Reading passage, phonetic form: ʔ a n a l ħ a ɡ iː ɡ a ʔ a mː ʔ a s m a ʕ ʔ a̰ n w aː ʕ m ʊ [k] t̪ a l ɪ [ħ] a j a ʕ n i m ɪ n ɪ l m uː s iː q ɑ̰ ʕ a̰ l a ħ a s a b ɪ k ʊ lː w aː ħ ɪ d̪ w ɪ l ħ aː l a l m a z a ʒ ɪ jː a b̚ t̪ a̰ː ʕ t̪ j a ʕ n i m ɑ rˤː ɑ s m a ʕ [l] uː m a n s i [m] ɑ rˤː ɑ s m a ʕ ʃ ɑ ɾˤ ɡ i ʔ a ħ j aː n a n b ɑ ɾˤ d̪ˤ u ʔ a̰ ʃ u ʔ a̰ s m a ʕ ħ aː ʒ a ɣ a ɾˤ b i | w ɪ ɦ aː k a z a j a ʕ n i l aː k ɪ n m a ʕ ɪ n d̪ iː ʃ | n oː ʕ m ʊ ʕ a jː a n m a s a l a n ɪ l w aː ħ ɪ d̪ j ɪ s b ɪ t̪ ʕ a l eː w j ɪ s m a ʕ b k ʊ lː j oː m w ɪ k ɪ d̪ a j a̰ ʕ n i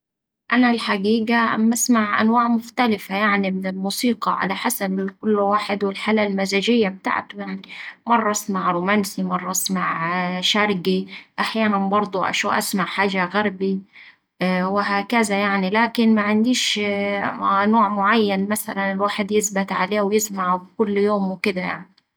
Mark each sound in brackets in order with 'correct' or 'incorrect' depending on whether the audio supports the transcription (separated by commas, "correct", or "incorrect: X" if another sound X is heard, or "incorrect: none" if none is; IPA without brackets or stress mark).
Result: incorrect: x, incorrect: f, incorrect: ɾ, correct